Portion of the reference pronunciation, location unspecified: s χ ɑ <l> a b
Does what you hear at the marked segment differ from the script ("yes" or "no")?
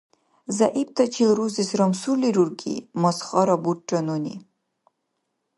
yes